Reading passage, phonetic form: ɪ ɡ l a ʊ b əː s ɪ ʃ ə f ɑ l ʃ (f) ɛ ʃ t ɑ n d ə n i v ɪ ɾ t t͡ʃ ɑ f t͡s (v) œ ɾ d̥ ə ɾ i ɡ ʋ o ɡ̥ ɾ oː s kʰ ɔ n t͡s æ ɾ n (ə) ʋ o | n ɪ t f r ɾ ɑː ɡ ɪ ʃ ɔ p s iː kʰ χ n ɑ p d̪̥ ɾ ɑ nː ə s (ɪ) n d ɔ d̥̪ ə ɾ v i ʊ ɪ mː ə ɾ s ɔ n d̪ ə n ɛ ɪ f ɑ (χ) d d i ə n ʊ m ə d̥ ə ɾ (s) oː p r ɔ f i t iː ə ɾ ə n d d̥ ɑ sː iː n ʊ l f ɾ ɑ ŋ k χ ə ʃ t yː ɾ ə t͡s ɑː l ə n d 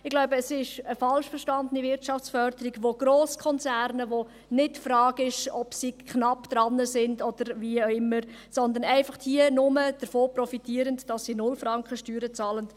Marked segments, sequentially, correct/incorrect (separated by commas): correct, incorrect, correct, correct, correct, incorrect